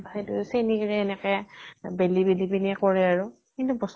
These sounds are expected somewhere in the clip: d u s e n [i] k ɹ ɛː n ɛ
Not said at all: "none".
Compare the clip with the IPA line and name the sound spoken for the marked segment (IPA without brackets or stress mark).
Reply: i